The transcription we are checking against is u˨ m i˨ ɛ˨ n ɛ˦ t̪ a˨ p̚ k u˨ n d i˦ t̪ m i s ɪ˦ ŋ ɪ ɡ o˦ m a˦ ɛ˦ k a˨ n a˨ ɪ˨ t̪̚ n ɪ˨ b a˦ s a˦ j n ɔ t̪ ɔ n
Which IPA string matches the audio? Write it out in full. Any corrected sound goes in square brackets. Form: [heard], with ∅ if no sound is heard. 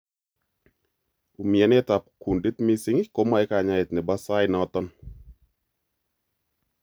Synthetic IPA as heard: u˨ m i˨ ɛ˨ n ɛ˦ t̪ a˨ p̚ k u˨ n d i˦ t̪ m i s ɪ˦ ŋ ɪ [k] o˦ m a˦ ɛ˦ k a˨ [ɲ] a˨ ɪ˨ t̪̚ n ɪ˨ b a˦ s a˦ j n ɔ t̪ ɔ n